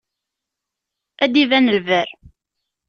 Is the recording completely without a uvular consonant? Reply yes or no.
yes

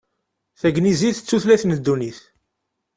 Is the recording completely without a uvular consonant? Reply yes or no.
yes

